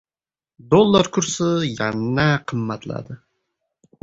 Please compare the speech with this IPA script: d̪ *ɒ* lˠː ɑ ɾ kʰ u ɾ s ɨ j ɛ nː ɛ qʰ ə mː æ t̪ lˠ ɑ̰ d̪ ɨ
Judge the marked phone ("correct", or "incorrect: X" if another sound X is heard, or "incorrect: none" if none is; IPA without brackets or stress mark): incorrect: o